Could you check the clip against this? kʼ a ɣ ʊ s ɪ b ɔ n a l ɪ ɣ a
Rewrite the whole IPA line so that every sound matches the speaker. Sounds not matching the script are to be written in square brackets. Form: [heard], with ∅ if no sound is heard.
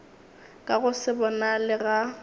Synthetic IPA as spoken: kʼ a ɣ ʊ s ɪ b ɔ n a l ɪ ɣ a